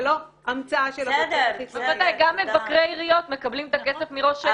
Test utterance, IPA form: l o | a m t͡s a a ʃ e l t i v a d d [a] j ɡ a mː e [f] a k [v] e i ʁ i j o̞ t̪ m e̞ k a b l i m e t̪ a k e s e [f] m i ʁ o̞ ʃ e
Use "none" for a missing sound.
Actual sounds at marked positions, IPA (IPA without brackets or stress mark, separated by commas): a, v, ʁ, f